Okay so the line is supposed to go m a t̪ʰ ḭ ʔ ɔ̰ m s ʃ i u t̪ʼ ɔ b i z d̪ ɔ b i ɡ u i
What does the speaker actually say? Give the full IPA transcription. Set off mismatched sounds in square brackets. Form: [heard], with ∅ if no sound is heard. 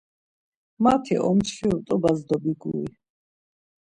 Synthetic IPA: m a t̪ʰ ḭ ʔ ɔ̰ m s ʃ i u t̪ʼ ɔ b [a] z d̪ ɔ b i ɡ u i

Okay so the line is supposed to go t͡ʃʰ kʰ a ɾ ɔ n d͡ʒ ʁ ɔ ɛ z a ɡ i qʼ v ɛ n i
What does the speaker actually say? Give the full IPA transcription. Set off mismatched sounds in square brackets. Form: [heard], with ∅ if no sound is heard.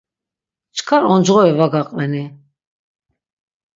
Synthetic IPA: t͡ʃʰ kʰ a ɾ ɔ n d͡ʒ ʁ ɔ ɛ [v] a ɡ [a] qʼ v ɛ n i

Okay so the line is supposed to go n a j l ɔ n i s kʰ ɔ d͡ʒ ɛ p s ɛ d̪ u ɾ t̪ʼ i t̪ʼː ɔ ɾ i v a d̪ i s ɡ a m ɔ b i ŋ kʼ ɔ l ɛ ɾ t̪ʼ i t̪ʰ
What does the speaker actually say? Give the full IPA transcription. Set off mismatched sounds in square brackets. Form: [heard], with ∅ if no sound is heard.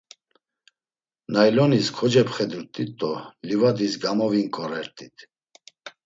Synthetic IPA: n a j l ɔ n i s kʰ ɔ d͡ʒ ɛ p [χ] ɛ d̪ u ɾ t̪ʼ i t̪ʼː ɔ [l] i v a d̪ i s ɡ a m ɔ [v] i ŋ kʼ ɔ [ɾ] ɛ ɾ t̪ʼ i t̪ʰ

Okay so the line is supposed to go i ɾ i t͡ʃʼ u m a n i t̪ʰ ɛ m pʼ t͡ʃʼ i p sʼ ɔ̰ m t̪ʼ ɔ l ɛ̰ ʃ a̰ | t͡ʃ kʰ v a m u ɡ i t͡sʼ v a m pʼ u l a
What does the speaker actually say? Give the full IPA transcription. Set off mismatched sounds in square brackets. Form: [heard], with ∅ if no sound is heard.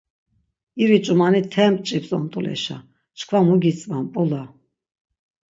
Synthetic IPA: i ɾ i t͡ʃʼ u m a n i t̪ʰ ɛ m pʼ t͡ʃʼ i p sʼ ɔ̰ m t̪ʼ [u] l ɛ̰ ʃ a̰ | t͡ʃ kʰ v a m u ɡ i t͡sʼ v a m pʼ u l a

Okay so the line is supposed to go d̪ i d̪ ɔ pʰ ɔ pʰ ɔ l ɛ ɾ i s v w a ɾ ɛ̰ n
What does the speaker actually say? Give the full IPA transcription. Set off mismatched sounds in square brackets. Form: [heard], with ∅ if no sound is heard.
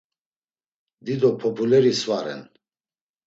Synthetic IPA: d̪ i d̪ ɔ pʰ ɔ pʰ [u] l ɛ ɾ i s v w a ɾ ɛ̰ n

